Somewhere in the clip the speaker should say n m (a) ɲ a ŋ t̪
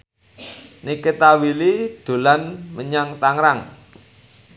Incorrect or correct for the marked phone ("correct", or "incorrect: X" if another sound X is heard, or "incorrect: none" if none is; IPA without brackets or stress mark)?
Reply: incorrect: ə